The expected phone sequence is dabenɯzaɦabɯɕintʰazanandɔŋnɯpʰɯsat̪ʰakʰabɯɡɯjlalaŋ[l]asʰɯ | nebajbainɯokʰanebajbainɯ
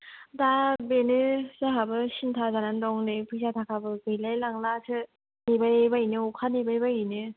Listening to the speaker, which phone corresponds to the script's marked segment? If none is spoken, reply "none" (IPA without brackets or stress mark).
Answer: l